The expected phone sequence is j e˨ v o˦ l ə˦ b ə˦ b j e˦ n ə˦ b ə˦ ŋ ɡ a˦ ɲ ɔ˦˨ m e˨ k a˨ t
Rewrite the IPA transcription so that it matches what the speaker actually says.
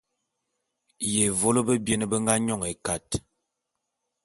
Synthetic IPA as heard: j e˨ v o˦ l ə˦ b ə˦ b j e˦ n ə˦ b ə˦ ŋ ɡ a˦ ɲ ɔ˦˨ ŋ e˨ k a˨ t